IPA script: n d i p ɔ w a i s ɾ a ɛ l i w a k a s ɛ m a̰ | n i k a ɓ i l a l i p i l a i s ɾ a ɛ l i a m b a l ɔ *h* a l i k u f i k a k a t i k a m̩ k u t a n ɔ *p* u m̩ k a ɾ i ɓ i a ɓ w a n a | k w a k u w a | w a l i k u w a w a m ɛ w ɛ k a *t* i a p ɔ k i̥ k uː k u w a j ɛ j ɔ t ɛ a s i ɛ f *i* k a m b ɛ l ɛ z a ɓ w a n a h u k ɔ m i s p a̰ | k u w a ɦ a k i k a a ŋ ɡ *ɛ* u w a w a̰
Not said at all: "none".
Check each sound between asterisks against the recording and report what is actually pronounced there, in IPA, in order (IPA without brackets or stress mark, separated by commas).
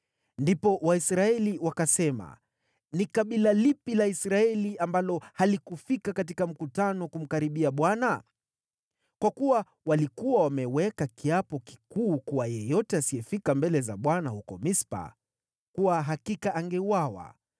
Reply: h, k, k, i, ɛ